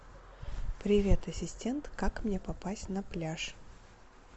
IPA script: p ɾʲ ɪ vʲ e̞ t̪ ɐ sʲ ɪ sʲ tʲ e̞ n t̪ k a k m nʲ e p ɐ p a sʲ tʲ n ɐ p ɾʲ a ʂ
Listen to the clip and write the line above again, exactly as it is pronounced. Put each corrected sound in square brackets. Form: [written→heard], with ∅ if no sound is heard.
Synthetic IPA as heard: p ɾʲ ɪ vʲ e̞ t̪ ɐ sʲ ɪ sʲ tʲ e̞ n t̪ k a k m nʲ e p ɐ p a sʲ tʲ n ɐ p [ɾʲ→lʲ] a ʂ

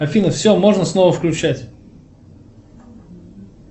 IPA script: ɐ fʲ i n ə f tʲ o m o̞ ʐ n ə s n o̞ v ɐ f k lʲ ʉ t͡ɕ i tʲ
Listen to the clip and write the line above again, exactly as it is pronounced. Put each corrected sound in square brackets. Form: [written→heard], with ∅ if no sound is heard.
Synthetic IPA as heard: ɐ fʲ i n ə f [tʲ→sʲ] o m o̞ ʐ n ə s n o̞ v [ɐ→ə] f k lʲ ʉ t͡ɕ [i→æ] tʲ

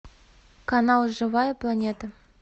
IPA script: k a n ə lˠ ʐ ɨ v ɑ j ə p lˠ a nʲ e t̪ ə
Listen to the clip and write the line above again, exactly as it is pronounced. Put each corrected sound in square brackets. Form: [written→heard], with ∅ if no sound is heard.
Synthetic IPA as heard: k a n [ə→ɑ] lˠ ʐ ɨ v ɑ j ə p lˠ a nʲ e t̪ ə

